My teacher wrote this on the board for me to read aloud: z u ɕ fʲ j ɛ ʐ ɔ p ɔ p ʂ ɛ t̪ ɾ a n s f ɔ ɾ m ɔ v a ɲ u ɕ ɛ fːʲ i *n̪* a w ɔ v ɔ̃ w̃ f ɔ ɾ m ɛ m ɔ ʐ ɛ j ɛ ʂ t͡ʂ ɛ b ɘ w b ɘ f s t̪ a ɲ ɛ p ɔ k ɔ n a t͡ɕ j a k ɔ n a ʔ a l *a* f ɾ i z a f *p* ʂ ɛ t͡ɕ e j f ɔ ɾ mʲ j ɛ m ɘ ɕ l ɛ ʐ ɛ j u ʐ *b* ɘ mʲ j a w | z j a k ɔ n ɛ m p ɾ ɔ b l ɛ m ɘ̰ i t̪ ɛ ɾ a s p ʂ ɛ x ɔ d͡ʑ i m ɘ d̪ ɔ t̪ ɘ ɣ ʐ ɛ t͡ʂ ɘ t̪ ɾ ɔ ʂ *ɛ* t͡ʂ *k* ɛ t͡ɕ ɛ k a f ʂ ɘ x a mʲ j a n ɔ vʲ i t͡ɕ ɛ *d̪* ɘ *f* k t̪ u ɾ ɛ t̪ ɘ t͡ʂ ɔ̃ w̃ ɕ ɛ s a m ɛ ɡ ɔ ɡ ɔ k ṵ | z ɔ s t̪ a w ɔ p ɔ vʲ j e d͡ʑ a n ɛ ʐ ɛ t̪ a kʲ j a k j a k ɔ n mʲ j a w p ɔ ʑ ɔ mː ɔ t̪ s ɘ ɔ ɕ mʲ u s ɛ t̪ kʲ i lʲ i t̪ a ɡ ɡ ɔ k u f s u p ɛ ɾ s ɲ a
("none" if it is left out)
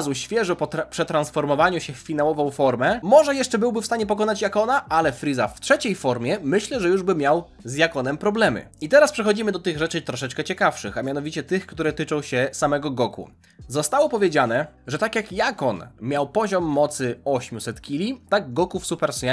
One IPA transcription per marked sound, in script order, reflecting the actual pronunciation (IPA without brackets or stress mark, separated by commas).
n̪, ɛ, t, b, ɛ, k, t̪, x